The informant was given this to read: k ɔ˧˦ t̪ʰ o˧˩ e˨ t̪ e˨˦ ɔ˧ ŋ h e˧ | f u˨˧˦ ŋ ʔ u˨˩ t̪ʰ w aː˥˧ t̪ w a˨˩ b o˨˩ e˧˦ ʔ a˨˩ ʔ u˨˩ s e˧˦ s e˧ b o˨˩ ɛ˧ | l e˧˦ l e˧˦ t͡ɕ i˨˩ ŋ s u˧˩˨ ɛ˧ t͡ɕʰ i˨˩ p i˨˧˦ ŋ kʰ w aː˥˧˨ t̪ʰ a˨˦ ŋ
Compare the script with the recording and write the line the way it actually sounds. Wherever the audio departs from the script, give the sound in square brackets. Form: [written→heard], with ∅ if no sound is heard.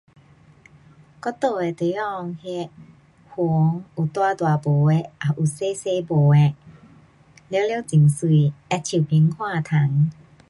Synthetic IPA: k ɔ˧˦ [t̪ʰ→t̪] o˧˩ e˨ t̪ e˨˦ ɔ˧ ŋ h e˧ | [f→h] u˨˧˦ ŋ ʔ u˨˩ [t̪ʰ→t̪] w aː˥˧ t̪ w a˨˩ b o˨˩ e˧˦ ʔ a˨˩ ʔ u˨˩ s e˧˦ s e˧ b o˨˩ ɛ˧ | l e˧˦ l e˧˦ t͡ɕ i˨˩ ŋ s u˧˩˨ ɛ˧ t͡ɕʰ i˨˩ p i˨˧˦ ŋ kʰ w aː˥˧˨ t̪ʰ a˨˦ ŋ